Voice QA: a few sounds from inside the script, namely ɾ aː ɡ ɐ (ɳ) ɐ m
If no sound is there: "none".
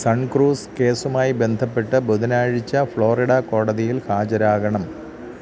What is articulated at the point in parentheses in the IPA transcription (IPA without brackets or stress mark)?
ɳ